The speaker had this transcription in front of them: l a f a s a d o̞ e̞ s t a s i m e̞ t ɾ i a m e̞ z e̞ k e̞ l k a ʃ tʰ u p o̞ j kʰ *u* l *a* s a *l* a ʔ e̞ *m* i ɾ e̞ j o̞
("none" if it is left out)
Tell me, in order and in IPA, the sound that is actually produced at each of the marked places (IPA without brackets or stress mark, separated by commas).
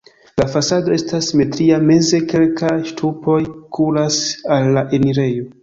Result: u, a, lː, n